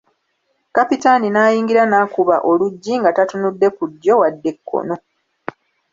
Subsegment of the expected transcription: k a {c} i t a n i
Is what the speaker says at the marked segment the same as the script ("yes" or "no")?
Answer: no